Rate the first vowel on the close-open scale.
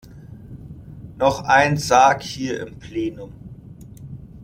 mid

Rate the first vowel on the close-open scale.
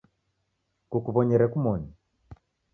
close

